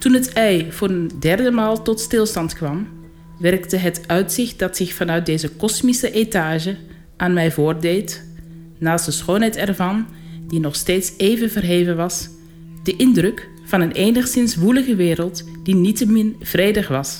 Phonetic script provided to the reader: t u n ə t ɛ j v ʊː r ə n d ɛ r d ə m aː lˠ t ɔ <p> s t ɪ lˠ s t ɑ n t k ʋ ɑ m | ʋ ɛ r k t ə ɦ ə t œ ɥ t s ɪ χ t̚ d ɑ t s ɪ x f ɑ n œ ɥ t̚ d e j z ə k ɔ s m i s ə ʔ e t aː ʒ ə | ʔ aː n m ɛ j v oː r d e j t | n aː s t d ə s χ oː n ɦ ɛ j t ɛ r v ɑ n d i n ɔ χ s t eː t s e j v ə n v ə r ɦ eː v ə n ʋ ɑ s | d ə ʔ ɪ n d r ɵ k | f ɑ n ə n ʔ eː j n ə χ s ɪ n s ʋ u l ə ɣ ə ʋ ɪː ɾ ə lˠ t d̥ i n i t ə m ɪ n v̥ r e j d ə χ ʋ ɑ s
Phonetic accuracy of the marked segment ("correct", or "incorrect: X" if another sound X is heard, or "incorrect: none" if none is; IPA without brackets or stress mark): incorrect: t